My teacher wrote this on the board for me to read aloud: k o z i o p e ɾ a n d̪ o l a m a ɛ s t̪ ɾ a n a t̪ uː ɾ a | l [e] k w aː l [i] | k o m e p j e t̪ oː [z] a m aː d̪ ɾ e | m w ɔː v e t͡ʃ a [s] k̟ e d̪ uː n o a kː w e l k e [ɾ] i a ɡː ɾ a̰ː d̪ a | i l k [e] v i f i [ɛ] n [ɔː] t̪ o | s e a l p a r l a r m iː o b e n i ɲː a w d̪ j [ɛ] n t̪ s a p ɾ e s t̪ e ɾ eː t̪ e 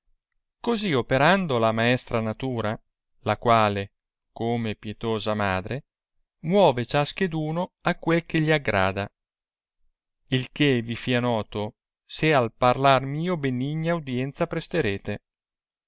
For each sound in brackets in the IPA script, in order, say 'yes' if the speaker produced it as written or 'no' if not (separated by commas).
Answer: no, no, yes, yes, no, yes, no, yes, yes